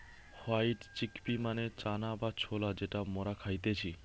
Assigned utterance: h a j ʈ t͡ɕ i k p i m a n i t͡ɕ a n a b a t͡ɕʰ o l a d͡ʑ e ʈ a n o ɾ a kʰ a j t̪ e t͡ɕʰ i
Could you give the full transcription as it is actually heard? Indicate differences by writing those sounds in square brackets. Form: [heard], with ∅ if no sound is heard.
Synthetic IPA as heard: h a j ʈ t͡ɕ i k p i m a n [e] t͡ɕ a n a b a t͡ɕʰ o l a d͡ʑ e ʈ a [m] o ɾ a kʰ a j t̪ e t͡ɕʰ i